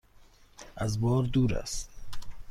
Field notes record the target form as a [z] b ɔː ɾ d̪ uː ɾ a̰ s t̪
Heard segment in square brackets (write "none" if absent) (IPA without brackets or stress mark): z